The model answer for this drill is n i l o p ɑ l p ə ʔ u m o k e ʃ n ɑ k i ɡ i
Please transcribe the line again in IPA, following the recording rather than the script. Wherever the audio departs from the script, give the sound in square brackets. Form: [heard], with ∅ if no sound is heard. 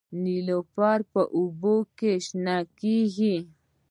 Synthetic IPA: n i l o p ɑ [ɾ] p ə ʔ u [b] o k e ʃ n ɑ k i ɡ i